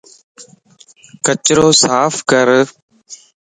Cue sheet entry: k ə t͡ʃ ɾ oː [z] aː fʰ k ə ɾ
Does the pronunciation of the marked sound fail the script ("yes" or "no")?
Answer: yes